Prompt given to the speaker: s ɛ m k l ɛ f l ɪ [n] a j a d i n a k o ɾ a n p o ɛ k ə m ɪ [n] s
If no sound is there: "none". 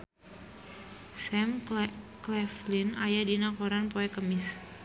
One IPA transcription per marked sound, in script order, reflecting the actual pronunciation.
n, none

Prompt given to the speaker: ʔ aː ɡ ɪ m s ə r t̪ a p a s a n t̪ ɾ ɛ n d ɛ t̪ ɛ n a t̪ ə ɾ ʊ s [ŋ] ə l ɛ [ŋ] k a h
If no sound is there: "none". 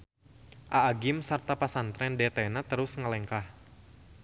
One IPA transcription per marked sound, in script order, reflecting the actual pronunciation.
ŋ, ŋ

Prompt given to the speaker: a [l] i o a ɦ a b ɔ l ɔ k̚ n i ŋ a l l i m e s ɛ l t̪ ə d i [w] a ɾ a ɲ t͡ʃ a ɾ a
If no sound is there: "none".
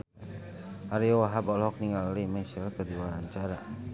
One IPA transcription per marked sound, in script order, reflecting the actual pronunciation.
ɾ, w

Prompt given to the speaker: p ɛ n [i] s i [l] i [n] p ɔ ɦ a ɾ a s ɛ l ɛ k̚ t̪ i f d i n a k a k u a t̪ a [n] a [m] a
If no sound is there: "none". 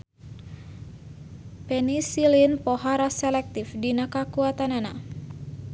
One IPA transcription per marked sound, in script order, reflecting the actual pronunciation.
i, l, n, n, n

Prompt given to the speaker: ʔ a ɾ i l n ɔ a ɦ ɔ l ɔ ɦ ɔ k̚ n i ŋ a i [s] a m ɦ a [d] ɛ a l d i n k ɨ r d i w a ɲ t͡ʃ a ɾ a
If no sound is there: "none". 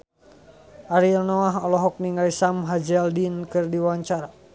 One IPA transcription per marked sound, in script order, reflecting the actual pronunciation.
s, d͡ʒ

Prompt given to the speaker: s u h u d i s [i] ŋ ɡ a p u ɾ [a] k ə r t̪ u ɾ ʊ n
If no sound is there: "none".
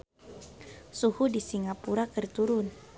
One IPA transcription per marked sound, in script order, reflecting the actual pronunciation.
i, a

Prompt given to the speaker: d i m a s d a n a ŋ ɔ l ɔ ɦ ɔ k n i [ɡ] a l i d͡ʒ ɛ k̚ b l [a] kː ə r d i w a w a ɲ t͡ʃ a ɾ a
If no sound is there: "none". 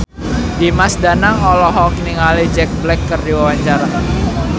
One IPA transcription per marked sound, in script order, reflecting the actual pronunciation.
ŋ, ɛ

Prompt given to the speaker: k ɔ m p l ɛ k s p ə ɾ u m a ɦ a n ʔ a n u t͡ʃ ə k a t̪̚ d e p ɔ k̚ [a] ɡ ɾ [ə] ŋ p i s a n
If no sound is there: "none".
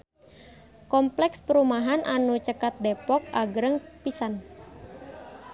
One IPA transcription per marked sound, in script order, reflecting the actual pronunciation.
a, ə

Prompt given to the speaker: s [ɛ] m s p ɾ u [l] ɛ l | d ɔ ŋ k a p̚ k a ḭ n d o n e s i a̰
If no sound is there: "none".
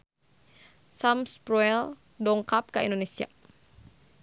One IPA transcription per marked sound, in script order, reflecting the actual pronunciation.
a, none

